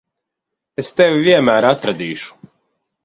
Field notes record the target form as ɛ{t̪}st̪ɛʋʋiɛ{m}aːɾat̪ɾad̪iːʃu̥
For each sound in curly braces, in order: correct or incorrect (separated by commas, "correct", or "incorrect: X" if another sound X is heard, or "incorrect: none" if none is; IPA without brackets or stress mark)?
incorrect: none, correct